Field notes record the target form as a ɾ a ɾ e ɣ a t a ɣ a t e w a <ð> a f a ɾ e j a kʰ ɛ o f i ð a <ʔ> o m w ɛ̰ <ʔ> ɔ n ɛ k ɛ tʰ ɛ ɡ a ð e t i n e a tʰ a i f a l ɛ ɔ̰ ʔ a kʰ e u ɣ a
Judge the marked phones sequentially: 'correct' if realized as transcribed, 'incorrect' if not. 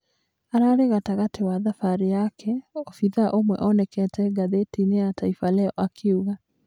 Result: correct, correct, correct

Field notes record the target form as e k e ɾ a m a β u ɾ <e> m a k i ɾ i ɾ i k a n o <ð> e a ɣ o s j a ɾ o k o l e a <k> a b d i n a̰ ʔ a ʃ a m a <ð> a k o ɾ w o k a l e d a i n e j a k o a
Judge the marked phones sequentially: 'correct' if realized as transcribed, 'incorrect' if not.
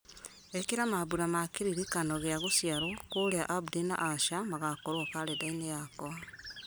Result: incorrect, incorrect, incorrect, incorrect

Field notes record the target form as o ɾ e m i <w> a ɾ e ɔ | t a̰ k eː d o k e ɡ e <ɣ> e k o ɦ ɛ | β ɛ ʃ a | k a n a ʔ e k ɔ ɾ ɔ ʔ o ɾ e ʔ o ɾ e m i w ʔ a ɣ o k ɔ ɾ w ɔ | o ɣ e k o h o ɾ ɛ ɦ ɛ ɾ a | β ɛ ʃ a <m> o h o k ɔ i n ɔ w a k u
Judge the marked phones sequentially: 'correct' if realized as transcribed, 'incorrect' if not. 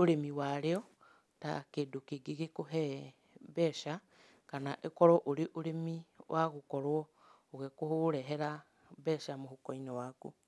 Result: correct, correct, correct

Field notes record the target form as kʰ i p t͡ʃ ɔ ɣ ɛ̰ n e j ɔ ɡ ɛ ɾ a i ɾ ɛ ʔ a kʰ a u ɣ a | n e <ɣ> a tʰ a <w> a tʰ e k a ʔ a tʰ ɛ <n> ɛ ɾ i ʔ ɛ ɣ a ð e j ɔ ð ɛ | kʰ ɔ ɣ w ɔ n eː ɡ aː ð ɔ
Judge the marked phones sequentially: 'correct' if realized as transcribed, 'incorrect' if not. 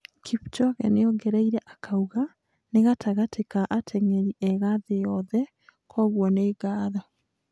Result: correct, incorrect, incorrect

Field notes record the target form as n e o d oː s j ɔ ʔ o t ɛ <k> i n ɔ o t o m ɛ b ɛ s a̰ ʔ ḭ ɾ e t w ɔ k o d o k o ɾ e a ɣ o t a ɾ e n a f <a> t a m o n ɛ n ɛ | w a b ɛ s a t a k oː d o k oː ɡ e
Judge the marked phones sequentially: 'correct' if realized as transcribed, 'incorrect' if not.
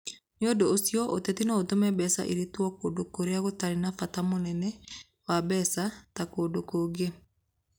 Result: incorrect, correct

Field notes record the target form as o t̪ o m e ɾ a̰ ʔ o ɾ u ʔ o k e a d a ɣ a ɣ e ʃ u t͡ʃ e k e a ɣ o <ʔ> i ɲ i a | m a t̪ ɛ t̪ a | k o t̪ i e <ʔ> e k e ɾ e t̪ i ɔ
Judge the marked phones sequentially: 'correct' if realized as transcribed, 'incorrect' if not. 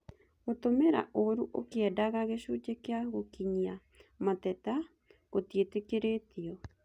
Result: incorrect, incorrect

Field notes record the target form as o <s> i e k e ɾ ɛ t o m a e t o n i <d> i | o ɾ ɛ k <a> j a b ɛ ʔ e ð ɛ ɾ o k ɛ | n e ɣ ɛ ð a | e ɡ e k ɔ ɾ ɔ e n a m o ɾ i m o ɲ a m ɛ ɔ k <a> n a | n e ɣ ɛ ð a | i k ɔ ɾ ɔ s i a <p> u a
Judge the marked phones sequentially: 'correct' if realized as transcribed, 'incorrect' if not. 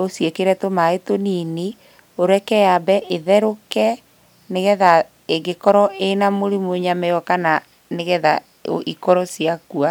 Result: correct, incorrect, incorrect, correct, incorrect

